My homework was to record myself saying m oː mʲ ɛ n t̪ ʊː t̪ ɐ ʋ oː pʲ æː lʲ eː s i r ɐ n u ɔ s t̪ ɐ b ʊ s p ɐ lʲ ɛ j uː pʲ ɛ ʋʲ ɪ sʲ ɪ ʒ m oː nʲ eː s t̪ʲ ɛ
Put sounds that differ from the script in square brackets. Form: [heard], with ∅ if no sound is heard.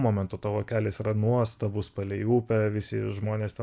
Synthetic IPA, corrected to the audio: m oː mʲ ɛ n t̪ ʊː t̪ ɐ ʋ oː [kʲ] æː lʲ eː s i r ɐ n u ɔ s t̪ ɐ b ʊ s p ɐ lʲ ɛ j uː pʲ ɛ ʋʲ ɪ sʲ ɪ ʒ m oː nʲ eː s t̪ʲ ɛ